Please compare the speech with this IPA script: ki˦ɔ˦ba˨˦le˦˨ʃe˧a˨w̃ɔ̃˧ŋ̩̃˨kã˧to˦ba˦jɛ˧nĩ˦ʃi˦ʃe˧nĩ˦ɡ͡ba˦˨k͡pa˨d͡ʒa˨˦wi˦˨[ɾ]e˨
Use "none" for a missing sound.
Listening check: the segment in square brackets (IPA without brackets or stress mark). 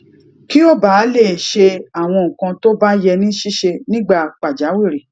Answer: ɾ